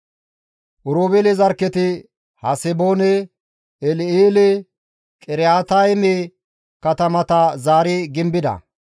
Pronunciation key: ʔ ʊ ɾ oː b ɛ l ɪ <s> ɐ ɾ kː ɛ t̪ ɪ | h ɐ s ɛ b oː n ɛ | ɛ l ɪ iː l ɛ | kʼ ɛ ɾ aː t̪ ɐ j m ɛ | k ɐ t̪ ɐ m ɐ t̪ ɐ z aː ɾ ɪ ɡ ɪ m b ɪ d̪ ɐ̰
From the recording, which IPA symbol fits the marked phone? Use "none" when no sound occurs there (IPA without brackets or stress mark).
z